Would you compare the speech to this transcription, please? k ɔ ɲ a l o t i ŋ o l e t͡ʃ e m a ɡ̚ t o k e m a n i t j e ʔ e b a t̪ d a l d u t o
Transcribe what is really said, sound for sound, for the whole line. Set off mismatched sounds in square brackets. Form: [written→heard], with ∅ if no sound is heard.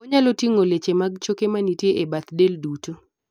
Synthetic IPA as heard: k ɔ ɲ a l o t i ŋ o l e t͡ʃ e m a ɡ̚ [t→t͡ʃ] o k e m a n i t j e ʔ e b a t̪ d [a→e] l d u t o